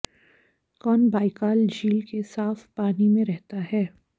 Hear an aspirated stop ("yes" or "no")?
no